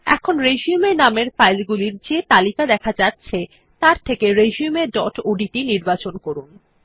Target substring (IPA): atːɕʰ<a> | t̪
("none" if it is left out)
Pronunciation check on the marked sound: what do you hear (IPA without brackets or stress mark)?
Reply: e